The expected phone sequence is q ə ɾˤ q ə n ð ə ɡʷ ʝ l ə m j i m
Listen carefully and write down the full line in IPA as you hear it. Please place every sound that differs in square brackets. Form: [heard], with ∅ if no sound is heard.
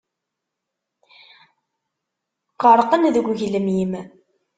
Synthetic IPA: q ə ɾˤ q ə n ð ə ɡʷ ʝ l ə m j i m

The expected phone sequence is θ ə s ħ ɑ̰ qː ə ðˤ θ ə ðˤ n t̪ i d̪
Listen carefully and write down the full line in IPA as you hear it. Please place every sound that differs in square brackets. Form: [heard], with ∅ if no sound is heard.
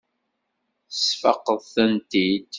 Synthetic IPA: θ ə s [f] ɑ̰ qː ə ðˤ θ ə [∅] n t̪ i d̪

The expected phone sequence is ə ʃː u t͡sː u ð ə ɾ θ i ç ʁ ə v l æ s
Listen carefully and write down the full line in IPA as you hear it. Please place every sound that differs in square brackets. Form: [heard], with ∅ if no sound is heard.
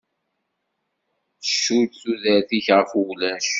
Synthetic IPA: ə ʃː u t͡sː u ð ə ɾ θ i ç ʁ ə [f] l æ [ʃ]

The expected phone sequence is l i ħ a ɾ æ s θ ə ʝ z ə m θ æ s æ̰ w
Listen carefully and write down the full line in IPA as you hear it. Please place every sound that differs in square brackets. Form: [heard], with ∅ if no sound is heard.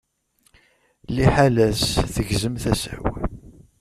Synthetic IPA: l i ħ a [l] æ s θ ə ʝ z ə m θ æ s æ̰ w

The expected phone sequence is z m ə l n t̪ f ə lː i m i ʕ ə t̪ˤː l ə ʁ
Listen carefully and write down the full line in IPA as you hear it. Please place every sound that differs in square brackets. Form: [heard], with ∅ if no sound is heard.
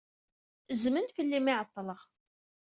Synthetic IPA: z m ə [∅] n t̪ f ə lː i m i ʕ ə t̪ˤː l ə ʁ

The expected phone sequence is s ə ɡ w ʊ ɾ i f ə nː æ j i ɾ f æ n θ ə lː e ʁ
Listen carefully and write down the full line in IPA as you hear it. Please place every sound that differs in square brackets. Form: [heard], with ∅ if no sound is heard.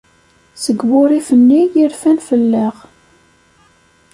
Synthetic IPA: s ə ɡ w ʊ ɾ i f ə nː [i] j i ɾ f æ n [f] ə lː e ʁ

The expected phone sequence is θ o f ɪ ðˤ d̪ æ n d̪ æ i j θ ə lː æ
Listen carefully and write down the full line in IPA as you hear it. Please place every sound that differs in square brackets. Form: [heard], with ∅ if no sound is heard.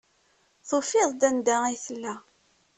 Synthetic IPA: θ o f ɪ ðˤ d̪ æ n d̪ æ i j θ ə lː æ

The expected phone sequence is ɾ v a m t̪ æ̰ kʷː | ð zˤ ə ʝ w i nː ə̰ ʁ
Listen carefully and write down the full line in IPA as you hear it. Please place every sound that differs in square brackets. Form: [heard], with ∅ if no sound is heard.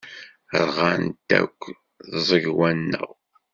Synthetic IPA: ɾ [ʁ] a [n] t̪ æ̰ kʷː | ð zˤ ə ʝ w [æ] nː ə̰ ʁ

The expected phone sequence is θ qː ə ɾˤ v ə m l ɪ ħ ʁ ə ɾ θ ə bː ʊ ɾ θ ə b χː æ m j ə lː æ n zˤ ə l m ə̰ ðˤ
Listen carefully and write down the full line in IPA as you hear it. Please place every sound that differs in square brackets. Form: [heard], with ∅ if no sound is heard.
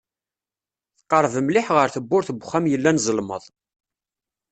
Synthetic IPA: θ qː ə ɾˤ v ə m l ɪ ħ ʁ ə ɾ θ ə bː ʊ ɾ θ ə b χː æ m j ə lː æ n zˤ ə l m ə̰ ðˤ

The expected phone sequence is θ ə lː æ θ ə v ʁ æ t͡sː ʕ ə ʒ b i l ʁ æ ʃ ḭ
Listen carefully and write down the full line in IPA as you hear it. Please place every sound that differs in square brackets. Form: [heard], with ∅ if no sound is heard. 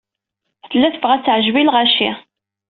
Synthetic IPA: θ ə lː æ θ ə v ʁ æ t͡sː ʕ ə ʒ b i l ʁ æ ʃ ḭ

